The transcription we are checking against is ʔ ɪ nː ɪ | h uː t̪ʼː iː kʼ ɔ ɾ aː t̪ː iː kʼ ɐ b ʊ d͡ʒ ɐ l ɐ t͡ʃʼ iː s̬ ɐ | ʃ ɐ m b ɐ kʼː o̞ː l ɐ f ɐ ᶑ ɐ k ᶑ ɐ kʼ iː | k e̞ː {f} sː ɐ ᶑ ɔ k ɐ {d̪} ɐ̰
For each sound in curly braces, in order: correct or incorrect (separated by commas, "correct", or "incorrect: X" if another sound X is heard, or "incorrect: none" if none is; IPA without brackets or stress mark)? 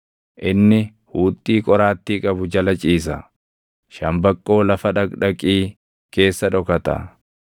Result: incorrect: none, incorrect: t̪